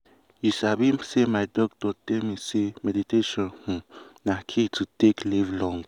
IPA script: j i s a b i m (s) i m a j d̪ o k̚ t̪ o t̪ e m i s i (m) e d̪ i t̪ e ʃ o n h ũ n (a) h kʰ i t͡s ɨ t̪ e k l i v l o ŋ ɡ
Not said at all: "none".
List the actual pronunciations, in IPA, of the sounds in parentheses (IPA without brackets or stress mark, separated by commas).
s, m, a